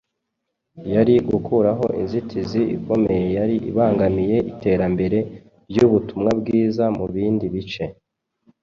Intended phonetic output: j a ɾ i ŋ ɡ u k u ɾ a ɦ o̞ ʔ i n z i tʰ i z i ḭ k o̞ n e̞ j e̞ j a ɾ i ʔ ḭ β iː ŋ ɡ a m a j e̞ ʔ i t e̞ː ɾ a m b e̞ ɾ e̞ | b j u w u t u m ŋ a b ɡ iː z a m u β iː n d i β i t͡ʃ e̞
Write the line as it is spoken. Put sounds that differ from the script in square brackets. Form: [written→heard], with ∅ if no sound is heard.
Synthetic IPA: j a ɾ i [ŋ→∅] ɡ u k u ɾ a ɦ o̞ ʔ i n z i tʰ i z i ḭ k o̞ [n→m] e̞ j e̞ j a ɾ i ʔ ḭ β [iː→aː] ŋ ɡ a m [a→i] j e̞ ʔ i t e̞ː ɾ a m b e̞ ɾ e̞ | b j u [w→β] u t u m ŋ a b ɡ iː z a m u β iː n d i β i t͡ʃ e̞